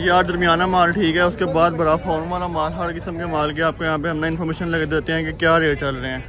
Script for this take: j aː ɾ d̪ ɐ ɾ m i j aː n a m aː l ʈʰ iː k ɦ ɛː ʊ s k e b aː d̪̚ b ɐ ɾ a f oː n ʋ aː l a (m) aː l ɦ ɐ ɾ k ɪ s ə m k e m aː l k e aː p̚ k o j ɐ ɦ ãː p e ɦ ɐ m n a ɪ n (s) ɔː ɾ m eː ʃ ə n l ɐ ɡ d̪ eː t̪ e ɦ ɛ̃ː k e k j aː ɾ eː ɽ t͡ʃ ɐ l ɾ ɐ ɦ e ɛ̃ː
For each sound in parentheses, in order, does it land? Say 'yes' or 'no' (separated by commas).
yes, no